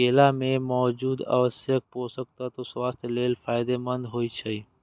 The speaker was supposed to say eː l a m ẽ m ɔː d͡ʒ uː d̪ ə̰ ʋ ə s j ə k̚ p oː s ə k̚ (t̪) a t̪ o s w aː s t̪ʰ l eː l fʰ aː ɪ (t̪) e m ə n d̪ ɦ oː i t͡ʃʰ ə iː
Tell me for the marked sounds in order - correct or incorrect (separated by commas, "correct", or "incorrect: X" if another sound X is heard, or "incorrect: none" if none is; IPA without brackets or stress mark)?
correct, incorrect: d̪